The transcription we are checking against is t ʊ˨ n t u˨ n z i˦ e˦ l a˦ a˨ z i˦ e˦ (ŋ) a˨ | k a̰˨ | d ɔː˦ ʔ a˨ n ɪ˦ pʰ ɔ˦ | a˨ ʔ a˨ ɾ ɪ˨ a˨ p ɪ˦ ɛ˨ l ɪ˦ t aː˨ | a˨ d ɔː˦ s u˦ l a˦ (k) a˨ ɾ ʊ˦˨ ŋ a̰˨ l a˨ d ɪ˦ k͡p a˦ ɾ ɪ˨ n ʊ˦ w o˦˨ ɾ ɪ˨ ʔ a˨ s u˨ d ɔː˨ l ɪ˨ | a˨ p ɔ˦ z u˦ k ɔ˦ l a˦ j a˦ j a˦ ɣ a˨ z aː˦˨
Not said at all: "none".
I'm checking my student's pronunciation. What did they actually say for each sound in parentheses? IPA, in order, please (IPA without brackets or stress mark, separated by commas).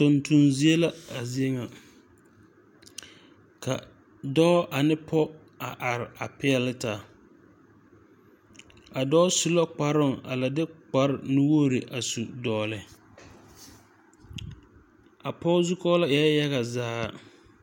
ŋ, k͡p